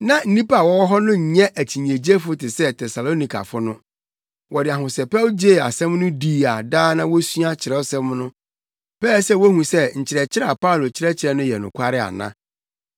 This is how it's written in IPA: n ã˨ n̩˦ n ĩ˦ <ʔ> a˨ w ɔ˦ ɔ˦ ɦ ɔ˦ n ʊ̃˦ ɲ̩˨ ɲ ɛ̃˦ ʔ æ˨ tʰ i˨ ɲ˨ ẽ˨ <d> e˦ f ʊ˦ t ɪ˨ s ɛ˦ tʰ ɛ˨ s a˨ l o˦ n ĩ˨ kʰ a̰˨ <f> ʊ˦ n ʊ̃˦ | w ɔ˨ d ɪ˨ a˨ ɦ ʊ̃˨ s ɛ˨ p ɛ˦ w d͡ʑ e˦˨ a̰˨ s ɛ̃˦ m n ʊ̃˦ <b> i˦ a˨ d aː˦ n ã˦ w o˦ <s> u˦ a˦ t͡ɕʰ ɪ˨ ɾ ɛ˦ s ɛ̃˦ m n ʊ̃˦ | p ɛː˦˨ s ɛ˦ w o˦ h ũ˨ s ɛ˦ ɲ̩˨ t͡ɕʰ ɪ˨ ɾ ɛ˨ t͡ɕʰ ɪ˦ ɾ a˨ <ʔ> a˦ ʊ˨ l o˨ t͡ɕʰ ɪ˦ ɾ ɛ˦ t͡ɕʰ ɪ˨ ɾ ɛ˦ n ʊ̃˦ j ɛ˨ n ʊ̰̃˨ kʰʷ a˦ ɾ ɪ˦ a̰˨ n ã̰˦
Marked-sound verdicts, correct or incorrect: incorrect: p, incorrect: d͡ʑ, correct, incorrect: d, correct, incorrect: p

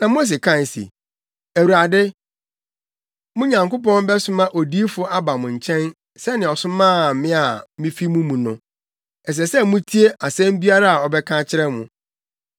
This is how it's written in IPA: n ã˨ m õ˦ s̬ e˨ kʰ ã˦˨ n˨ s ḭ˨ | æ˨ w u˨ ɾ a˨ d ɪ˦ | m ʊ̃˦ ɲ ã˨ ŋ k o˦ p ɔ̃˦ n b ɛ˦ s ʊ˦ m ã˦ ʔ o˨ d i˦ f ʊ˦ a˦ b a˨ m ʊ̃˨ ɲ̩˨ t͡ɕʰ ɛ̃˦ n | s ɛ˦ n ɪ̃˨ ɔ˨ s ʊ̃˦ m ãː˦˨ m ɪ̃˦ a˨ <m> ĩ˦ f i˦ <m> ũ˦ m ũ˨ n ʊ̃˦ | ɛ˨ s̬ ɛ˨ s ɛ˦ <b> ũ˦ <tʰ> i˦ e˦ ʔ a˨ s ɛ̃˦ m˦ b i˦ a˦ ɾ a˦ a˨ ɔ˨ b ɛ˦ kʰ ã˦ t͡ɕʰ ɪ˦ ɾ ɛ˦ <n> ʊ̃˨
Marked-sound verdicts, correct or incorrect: correct, correct, incorrect: m, correct, incorrect: m

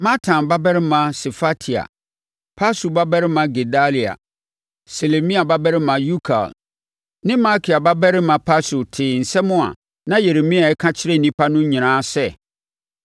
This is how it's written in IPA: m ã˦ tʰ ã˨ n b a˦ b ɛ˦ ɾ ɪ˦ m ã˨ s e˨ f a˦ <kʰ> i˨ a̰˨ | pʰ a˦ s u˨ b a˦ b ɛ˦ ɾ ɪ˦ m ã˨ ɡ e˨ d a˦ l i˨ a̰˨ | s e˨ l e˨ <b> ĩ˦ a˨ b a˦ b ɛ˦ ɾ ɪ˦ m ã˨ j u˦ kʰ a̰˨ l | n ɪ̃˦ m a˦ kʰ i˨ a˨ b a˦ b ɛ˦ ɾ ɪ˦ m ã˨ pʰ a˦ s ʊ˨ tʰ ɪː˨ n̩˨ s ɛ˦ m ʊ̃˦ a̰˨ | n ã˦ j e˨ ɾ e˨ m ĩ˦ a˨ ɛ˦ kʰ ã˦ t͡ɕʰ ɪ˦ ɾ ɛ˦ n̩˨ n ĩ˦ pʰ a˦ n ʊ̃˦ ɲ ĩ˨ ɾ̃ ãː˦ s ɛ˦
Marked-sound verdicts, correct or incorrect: incorrect: tʰ, incorrect: m

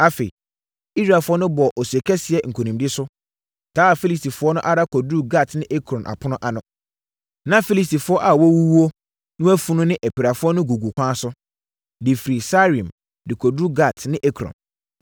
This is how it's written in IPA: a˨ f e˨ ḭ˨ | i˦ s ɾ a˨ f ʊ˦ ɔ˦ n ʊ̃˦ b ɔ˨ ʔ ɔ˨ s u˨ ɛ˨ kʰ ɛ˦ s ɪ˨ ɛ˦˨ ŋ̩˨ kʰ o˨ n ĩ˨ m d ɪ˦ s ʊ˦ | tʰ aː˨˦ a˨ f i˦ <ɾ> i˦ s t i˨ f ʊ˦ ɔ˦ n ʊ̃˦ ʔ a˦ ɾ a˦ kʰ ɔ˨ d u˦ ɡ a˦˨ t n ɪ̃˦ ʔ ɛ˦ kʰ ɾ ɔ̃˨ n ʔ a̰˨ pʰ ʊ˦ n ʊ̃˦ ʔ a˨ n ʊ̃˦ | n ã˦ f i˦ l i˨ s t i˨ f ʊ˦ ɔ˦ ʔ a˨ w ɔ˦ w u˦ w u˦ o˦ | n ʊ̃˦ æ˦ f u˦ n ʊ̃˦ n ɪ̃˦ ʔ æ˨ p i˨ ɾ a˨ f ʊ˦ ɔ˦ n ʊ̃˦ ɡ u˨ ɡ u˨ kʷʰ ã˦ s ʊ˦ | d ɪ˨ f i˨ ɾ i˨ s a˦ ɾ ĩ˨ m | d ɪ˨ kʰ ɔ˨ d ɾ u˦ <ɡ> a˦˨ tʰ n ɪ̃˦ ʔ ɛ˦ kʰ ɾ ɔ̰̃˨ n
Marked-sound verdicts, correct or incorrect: incorrect: l, correct

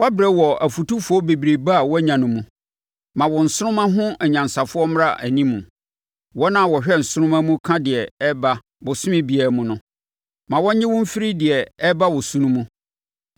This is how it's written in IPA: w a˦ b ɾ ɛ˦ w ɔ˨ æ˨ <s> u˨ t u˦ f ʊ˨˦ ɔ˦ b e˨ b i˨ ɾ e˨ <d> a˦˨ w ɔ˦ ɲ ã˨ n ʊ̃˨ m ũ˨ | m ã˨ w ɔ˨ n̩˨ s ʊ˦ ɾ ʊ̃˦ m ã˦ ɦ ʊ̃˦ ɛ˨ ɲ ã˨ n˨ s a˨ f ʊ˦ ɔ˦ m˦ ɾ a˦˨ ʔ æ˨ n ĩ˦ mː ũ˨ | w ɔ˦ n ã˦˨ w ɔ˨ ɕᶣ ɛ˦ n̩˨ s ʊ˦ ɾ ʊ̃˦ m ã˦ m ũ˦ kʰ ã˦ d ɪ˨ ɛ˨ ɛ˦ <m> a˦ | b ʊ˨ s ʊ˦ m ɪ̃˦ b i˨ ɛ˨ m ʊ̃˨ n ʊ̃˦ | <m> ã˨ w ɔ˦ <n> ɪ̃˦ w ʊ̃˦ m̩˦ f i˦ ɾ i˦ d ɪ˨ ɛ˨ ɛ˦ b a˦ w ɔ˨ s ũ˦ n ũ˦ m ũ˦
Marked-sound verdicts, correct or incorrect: incorrect: f, incorrect: b, incorrect: b, correct, incorrect: ɲ

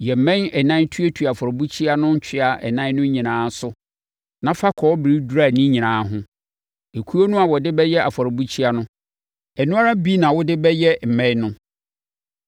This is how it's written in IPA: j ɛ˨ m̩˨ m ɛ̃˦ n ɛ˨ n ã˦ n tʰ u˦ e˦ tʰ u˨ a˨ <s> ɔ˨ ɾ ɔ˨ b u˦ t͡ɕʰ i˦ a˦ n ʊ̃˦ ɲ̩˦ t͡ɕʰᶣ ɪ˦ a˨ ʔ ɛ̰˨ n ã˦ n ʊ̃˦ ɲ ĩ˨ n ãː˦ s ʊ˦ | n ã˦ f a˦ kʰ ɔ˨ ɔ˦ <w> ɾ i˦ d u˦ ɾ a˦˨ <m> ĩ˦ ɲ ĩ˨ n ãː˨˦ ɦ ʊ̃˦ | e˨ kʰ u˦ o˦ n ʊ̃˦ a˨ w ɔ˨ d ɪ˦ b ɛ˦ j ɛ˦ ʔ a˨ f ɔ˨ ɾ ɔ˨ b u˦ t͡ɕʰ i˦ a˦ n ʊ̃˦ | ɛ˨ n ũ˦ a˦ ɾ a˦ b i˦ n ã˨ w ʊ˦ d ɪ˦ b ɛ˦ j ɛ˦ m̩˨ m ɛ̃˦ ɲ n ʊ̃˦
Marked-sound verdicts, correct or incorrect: incorrect: f, incorrect: b, incorrect: n

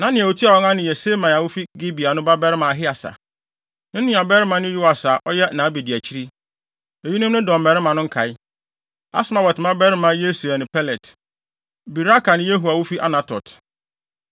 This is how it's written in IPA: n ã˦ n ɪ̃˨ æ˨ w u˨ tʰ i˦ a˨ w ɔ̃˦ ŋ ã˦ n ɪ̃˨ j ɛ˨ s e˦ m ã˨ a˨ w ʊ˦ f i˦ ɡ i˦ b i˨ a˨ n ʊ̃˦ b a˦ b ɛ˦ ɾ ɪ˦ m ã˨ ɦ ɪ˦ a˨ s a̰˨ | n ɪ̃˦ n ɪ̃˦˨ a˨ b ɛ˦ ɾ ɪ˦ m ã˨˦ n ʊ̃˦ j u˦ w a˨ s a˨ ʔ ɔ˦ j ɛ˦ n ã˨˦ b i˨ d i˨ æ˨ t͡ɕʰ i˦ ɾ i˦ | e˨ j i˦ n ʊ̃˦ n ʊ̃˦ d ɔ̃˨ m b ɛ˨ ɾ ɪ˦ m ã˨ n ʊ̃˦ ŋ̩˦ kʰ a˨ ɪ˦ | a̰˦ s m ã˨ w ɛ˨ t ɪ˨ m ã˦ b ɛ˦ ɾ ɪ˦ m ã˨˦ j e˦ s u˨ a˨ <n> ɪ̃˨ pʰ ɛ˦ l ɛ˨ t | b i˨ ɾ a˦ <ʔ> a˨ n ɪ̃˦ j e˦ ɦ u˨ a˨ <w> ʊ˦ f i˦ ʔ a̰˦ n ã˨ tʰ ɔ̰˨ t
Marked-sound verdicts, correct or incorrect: correct, incorrect: k, correct

